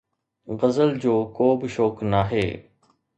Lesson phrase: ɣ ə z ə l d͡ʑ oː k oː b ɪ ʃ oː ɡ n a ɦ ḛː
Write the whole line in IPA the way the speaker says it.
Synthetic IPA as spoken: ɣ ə z ə l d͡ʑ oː k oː b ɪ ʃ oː k n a ɦ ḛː